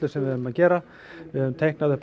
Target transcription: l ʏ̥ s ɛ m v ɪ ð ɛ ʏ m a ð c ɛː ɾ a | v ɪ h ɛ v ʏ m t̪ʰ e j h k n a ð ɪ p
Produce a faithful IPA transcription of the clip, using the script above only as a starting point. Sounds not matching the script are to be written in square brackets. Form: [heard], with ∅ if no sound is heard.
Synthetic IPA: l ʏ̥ s ɛ m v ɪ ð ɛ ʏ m a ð c ɛː ɾ a | v ɪ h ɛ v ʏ m t̪ʰ e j h k n a ð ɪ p